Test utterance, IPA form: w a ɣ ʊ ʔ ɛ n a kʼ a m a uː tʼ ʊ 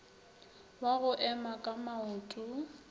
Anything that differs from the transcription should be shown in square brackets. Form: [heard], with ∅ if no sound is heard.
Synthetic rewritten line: w a ɣ ʊ ʔ ɛ [m] a kʼ a m a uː tʼ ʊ

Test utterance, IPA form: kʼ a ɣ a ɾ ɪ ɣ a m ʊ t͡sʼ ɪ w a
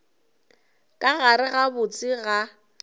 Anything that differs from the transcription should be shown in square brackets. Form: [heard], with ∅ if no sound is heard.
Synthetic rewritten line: kʼ a ɣ a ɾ ɪ ɣ a [b] ʊ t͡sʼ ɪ [ɣ] a

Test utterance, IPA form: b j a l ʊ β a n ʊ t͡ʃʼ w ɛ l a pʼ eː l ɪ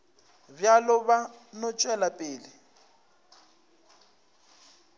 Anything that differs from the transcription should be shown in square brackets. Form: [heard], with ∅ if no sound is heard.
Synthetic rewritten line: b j a l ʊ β a n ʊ t͡ʃʼ w ɛ l a pʼ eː l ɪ

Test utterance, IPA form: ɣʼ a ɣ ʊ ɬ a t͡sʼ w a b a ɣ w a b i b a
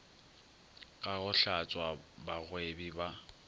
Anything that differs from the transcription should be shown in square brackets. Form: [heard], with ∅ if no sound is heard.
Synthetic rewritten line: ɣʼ a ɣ ʊ ɬ a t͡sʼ w a b a ɣ w [e] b i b a

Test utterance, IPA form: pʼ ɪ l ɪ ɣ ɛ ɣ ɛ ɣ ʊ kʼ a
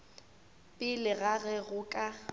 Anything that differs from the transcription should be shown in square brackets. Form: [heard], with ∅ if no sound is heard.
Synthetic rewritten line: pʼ ɪ l ɪ ɣ [a] ɣ ɛ ɣ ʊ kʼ a

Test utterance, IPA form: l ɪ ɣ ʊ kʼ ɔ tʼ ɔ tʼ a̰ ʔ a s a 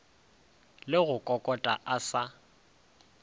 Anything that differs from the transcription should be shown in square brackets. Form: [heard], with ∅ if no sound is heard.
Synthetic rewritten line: l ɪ ɣ ʊ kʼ ɔ [kʼ] ɔ tʼ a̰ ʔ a s a

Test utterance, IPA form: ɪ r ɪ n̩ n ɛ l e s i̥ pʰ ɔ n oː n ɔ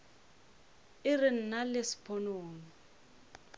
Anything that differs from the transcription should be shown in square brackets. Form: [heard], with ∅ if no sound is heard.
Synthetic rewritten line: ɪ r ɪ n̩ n [a] l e s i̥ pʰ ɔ n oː n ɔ

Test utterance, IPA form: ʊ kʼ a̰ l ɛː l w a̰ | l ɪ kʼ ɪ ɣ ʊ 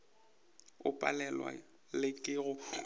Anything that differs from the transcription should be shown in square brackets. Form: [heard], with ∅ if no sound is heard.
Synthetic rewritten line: ʊ [pʼ] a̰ l [ɛ] l w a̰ | l ɪ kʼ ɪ ɣ ʊ

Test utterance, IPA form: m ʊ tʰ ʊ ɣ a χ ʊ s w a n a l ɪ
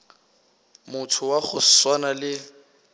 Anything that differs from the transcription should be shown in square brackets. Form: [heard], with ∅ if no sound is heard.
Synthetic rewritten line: m ʊ tʰ ʊ [w] a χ ʊ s w a n a l ɪ

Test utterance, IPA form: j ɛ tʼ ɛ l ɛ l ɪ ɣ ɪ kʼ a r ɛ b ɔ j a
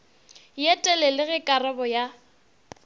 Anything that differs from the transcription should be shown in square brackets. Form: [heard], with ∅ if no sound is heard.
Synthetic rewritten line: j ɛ tʼ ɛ l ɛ l ɪ ɣ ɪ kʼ a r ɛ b ɔ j a

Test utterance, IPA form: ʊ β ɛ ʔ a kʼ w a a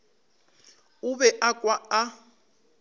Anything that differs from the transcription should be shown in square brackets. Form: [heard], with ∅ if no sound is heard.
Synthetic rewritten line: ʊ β ɛ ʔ a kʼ w a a

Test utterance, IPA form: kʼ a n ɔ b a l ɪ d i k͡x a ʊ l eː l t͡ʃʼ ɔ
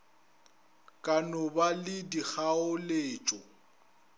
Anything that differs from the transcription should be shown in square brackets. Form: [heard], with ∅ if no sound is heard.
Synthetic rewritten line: kʼ a n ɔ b a l ɪ d i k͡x a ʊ l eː [∅] t͡ʃʼ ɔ

